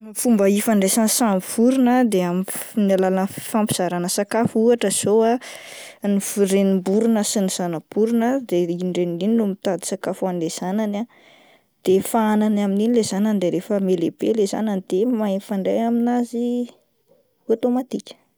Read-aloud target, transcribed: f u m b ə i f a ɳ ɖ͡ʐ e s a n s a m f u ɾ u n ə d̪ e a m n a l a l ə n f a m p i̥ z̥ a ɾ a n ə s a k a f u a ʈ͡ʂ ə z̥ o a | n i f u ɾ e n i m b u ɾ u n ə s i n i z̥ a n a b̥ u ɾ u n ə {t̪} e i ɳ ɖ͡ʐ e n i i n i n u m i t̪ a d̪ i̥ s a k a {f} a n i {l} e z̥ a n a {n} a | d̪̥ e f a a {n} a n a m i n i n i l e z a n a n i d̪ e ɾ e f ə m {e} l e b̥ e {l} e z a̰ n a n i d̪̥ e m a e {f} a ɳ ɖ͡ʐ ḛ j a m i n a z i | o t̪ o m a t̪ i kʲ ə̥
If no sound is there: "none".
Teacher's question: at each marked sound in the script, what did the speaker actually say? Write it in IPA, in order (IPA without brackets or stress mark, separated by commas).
d̪, f, l, n, n, e, l, f